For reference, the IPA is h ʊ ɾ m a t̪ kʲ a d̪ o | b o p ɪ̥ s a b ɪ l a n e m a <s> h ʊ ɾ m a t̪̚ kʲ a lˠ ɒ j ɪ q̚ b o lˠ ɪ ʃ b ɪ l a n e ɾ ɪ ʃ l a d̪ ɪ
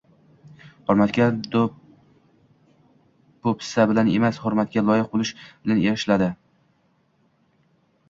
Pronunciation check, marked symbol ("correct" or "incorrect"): correct